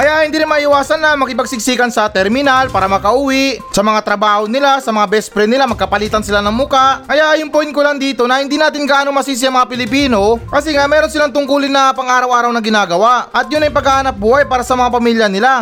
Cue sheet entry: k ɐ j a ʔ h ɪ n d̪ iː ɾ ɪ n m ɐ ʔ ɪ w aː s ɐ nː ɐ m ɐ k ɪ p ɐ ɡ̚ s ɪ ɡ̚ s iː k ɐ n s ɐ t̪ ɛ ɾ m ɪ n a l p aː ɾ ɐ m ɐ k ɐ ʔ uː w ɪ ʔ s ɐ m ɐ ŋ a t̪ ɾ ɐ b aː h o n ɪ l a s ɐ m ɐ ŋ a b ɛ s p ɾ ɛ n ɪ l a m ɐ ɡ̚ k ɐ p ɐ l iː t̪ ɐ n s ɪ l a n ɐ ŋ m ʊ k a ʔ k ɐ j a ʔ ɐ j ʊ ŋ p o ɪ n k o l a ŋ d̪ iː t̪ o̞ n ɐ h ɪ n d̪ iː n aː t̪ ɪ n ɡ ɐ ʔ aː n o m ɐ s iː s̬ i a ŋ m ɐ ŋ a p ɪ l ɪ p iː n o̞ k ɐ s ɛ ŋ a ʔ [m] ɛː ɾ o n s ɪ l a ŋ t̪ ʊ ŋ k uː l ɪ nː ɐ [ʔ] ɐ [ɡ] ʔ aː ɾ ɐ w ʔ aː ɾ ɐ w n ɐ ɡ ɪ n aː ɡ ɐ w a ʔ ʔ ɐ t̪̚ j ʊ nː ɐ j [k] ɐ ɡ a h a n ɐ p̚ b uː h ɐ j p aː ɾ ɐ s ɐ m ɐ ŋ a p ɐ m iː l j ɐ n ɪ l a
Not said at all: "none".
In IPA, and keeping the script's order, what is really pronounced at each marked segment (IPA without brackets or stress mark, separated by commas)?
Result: m, p, ŋ, p